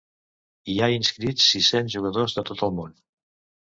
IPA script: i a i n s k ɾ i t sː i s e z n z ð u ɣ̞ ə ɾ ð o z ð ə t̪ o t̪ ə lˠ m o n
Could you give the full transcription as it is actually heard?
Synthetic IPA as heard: i a i n s k ɾ i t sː i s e n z ʒ u ɣ̞ ə ð o z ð ə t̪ o t̪ ə lˠ m o n